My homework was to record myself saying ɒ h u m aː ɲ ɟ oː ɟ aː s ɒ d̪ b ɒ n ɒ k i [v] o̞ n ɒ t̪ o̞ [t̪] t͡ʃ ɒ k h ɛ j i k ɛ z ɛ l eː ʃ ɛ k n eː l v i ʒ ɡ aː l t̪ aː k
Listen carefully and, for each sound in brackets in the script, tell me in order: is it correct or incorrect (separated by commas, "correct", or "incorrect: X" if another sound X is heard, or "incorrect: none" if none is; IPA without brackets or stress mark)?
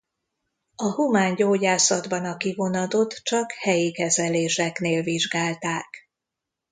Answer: correct, correct